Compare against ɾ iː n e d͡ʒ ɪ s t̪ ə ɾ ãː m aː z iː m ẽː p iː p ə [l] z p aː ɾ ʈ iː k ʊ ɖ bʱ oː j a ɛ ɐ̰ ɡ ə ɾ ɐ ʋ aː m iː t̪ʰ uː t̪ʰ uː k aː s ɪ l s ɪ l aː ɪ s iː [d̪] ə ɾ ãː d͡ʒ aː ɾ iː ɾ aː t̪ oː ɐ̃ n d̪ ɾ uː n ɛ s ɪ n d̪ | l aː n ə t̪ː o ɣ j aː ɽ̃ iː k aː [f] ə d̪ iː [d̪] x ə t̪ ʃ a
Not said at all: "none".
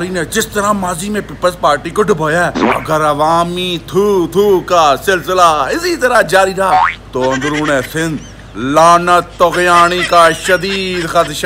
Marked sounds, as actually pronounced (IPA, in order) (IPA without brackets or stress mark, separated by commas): l, t̪, ʃ, d̪